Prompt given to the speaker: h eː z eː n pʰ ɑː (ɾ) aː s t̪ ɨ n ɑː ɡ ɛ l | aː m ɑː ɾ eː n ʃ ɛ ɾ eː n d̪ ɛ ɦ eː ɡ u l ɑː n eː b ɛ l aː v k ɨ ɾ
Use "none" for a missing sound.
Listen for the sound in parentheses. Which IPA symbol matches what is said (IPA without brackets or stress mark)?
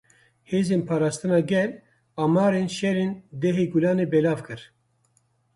ɾ